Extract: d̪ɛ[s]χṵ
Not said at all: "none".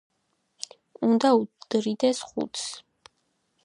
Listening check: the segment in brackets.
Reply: s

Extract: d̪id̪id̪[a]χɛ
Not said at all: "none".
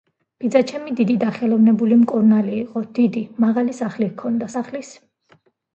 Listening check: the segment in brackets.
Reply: a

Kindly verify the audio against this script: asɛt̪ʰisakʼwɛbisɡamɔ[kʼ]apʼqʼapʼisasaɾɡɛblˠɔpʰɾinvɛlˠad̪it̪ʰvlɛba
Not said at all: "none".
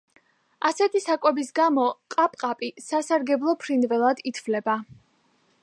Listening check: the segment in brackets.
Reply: qʼ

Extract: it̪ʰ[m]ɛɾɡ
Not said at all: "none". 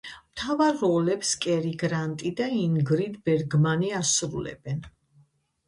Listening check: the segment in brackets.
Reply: b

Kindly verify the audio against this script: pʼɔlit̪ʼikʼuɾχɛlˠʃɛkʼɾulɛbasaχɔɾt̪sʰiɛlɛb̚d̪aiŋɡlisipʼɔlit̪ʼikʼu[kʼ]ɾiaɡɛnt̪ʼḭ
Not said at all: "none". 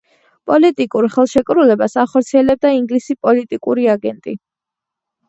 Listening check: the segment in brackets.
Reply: none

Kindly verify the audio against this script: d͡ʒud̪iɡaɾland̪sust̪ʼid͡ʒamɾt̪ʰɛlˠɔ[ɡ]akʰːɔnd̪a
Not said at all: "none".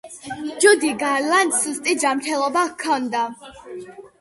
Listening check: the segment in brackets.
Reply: b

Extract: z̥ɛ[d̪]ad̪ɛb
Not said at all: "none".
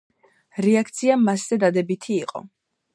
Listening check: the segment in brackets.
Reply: d̪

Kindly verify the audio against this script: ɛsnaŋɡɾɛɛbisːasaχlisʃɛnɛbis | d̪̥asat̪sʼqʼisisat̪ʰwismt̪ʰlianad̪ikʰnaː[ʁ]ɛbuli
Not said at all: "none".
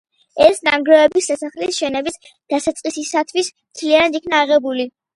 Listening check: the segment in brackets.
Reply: ʁ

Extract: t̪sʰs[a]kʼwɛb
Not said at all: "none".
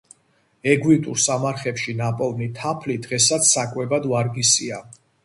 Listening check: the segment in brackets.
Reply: a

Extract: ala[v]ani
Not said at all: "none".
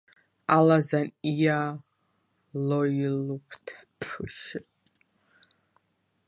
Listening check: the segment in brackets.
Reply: z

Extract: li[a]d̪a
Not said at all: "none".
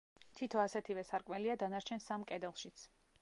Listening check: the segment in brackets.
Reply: a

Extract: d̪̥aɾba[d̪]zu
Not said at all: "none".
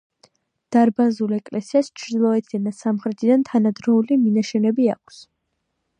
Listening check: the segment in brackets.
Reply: none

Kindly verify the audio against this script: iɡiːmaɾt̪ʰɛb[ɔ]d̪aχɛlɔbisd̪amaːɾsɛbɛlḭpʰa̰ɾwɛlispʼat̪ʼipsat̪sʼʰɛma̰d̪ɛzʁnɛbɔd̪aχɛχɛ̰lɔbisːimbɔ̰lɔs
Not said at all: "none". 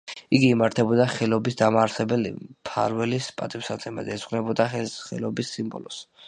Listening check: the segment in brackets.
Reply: ɔ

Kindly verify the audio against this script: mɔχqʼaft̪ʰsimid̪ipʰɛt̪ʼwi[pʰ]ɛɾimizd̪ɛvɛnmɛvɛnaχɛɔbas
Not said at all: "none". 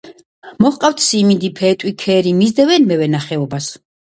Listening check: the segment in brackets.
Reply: kʰ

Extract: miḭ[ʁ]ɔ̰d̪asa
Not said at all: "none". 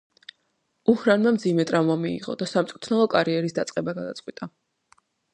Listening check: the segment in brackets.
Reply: ʁ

